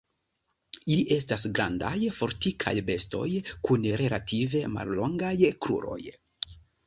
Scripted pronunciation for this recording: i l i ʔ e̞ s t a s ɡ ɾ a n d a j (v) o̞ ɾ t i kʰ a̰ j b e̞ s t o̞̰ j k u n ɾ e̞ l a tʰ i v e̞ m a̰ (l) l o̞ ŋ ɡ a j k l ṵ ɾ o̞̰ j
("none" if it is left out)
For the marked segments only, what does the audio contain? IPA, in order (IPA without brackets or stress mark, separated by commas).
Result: f, l